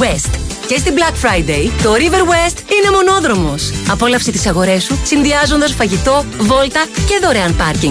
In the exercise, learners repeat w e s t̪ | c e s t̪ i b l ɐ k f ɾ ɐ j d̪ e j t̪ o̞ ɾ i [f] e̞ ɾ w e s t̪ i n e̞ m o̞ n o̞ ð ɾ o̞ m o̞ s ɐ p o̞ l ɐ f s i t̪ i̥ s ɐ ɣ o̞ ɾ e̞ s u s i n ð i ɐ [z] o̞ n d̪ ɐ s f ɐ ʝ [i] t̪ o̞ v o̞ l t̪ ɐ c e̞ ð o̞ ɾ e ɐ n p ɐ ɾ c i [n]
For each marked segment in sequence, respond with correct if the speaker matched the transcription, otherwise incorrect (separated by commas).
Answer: incorrect, correct, correct, incorrect